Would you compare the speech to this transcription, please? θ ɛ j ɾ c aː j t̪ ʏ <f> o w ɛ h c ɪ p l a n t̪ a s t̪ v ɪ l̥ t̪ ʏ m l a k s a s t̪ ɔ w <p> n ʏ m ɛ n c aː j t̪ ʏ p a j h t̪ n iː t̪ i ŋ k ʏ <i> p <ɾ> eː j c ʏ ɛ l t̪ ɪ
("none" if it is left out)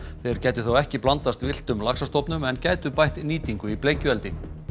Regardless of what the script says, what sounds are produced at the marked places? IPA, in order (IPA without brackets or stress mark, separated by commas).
θ, p, i, l